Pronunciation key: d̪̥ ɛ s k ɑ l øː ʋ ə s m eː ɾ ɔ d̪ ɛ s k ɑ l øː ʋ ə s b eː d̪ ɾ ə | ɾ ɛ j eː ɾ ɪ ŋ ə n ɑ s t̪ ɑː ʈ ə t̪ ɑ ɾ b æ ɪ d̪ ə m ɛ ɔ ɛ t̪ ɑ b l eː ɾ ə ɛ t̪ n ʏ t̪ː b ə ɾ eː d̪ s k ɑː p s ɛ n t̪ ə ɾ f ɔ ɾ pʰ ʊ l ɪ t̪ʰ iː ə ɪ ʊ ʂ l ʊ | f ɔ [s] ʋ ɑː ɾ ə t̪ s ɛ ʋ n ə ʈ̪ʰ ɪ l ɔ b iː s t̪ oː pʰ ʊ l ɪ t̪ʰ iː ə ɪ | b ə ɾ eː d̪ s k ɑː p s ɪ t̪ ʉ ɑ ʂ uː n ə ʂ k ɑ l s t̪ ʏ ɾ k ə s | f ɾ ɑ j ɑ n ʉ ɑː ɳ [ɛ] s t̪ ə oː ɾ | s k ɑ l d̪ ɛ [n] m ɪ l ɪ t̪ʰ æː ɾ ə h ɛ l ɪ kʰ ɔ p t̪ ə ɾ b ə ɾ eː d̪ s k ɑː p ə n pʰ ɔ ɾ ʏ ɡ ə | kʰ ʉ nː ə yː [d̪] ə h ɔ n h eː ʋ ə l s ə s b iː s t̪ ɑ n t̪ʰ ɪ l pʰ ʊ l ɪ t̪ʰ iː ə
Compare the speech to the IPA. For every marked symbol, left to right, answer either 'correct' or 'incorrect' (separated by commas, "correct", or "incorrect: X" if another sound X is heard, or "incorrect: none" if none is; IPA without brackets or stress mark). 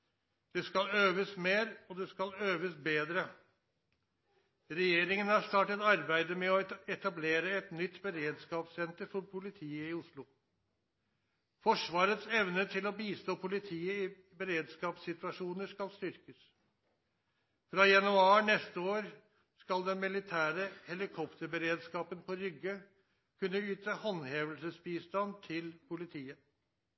incorrect: ʂ, correct, correct, incorrect: t̪